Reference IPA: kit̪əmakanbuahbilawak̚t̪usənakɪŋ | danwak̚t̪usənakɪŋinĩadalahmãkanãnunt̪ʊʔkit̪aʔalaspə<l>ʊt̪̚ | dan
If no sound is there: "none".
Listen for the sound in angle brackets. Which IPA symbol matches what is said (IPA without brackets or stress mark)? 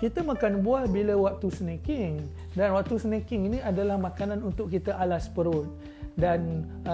ɾ